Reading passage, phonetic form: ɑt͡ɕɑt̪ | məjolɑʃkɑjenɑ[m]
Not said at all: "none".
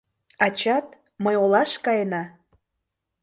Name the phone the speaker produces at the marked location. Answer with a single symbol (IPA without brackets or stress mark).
none